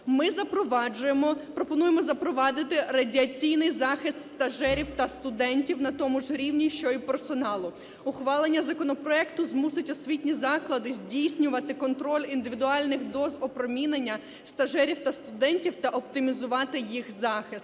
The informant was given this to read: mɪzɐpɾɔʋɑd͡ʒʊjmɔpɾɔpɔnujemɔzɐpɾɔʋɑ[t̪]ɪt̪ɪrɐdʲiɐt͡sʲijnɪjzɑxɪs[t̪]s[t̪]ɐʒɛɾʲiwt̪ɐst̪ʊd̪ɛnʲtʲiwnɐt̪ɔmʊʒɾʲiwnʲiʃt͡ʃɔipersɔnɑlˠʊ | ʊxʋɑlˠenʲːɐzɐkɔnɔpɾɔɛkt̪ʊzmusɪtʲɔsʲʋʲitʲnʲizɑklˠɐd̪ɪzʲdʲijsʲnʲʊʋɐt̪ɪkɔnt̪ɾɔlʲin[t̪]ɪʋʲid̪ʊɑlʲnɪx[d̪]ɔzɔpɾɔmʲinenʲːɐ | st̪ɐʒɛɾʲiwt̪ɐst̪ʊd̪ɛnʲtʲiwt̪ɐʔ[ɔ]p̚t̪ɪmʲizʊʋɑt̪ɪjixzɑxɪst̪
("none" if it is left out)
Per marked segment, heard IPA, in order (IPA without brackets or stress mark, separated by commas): d̪, t̪, t̪, d̪, d̪, ɔ